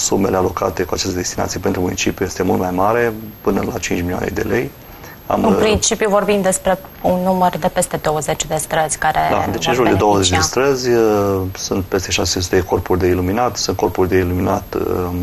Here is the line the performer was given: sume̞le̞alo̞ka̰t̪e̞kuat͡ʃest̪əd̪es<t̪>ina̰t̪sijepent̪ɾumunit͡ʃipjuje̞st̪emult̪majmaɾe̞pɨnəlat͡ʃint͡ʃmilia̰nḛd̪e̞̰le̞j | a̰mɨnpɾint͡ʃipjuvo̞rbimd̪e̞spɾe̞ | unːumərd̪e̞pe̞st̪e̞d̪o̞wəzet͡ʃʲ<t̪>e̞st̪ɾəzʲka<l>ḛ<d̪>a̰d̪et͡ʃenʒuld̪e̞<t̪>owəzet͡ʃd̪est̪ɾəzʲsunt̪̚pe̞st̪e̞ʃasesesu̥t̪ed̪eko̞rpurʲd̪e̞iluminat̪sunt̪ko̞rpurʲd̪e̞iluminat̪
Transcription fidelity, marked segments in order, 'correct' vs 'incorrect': correct, incorrect: d̪, incorrect: ɾ, correct, incorrect: d̪

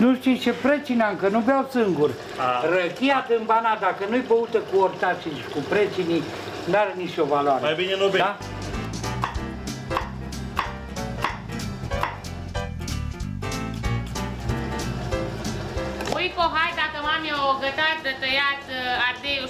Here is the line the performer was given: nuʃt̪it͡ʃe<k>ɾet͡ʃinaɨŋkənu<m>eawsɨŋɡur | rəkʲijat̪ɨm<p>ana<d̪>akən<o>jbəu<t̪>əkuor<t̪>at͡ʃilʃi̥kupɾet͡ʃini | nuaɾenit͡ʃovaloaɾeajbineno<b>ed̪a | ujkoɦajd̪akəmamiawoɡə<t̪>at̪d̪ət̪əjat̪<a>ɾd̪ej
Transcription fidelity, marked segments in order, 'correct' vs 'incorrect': incorrect: p, incorrect: b, incorrect: b, correct, incorrect: u, correct, correct, correct, correct, correct

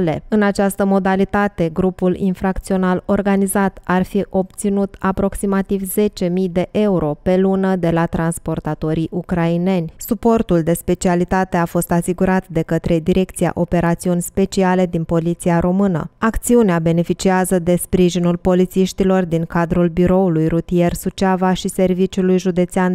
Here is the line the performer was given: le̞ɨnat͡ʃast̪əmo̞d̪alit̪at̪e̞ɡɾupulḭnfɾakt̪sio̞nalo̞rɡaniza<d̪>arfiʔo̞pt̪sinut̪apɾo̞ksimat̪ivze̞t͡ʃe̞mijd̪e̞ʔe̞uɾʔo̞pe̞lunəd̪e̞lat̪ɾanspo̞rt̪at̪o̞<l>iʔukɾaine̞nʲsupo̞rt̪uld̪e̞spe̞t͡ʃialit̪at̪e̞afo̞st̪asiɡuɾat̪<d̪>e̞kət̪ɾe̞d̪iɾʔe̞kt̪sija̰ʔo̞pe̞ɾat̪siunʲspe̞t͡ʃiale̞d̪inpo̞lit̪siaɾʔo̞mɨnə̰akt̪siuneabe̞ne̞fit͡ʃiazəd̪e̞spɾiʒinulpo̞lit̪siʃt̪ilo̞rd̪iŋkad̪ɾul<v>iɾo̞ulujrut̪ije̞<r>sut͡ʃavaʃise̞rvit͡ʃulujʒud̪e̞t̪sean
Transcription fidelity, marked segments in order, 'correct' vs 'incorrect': incorrect: t̪, incorrect: ɾ, correct, incorrect: b, correct

